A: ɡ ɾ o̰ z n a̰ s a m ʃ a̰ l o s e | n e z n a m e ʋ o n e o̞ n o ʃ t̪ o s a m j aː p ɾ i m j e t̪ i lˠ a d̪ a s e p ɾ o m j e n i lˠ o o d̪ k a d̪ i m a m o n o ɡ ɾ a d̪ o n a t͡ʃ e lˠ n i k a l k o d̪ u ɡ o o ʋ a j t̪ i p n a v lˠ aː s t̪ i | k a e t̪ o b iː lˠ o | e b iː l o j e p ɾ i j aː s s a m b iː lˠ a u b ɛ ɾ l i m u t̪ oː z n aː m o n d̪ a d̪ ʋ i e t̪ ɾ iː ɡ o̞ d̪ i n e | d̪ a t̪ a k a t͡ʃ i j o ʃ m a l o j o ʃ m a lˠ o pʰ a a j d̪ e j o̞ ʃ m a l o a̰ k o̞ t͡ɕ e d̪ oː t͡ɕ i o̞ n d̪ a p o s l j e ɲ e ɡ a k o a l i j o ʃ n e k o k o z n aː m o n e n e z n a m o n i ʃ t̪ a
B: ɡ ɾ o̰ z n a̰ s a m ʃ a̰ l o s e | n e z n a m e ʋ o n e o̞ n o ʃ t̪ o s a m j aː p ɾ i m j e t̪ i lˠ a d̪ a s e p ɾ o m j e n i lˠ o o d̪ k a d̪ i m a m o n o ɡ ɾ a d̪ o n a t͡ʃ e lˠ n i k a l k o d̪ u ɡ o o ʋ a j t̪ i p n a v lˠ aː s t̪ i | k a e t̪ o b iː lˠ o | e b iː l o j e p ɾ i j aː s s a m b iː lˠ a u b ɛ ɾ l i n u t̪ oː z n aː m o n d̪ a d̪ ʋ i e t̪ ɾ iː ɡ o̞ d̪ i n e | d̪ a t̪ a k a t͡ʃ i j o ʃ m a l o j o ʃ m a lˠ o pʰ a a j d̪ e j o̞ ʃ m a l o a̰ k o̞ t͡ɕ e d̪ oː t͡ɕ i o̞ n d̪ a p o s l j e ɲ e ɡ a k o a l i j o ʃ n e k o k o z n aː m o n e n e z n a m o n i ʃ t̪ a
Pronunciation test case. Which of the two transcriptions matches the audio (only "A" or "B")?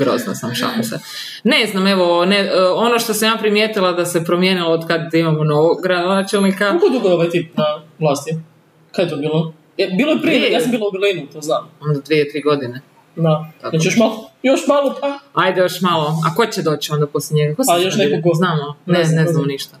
B